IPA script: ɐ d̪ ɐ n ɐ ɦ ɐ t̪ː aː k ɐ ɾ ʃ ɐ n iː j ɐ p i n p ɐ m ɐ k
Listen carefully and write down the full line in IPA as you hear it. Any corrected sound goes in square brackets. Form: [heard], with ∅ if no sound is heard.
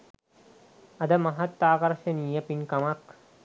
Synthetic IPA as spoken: ɐ d̪ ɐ [m] ɐ ɦ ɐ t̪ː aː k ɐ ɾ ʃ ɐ n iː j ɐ p i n [k] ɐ m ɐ k

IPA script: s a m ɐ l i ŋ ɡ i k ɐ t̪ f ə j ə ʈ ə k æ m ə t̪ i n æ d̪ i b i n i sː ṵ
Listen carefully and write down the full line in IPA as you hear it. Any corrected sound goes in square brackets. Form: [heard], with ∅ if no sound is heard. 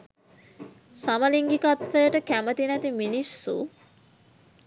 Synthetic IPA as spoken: s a m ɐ l i ŋ ɡ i k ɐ t̪ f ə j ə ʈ ə k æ m ə t̪ i n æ [t̪] i [m] i n i sː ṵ

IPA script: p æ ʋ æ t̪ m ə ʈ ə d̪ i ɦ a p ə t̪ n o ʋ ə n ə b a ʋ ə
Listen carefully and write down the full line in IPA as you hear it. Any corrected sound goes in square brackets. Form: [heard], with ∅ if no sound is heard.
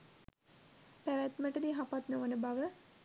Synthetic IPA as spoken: p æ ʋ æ t̪ m ə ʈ ə d̪ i ɦ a p [a] t̪ n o ʋ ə n ə b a ʋ ə

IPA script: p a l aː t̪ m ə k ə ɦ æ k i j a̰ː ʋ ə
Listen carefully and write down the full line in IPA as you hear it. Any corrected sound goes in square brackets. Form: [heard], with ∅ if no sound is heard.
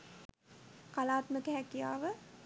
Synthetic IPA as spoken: [k] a l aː t̪ m ə k ə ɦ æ k i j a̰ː ʋ ə

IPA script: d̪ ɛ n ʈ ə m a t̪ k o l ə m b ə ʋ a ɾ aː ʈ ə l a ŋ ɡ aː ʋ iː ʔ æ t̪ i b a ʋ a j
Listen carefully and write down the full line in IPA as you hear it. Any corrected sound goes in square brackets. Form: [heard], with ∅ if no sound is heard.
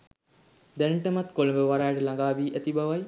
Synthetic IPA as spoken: d̪ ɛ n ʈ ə m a t̪ k o l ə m b ə ʋ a ɾ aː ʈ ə l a ŋ ɡ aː ʋ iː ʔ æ t̪ i b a ʋ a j

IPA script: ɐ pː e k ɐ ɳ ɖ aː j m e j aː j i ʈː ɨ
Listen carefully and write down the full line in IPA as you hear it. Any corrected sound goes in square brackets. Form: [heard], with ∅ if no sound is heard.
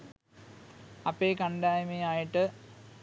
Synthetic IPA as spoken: ɐ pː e k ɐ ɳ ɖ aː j m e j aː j i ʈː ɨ

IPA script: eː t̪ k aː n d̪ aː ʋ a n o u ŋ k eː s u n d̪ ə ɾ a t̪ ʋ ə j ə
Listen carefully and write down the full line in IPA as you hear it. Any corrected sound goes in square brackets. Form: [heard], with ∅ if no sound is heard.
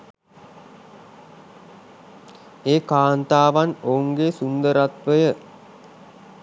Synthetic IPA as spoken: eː [∅] k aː n [t̪] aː ʋ a n o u ŋ [ɡ] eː s u n d̪ ə ɾ a t̪ ʋ ə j ə

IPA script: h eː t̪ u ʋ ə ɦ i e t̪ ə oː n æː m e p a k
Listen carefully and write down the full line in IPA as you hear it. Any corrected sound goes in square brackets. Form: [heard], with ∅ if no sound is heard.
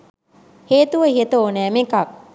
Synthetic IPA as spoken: h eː t̪ u ʋ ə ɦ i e t̪ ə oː n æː m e [k] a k

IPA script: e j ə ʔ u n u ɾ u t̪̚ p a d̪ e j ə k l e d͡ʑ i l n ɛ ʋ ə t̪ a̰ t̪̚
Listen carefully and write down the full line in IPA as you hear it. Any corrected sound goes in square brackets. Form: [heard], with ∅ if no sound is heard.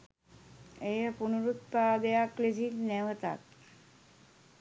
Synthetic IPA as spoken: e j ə [p] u n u ɾ u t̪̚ p a d̪ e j [a] k l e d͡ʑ i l n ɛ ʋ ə t̪ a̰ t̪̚

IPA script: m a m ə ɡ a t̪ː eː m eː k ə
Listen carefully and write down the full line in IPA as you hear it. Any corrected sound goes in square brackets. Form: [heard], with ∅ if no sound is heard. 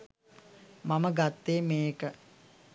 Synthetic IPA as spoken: m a m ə ɡ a t̪ː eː m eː k ə

